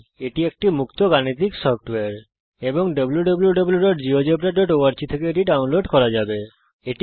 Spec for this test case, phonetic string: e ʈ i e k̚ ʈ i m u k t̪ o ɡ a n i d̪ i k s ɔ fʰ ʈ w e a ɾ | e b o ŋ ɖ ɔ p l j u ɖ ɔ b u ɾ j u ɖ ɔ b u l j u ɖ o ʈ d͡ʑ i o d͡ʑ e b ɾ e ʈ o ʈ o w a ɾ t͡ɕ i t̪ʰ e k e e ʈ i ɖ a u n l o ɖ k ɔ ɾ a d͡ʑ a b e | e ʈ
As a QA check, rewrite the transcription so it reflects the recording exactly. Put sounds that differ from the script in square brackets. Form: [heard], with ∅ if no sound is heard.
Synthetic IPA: e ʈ i e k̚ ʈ i m u k t̪ o ɡ a n i [t̪] i k s ɔ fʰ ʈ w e a ɾ | e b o ŋ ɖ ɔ [b] l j u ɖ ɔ b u [l] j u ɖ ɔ b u l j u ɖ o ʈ d͡ʑ i o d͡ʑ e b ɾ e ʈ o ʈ o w a ɾ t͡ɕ i t̪ʰ e k e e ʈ i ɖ a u n l o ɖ k ɔ ɾ a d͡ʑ a b e | e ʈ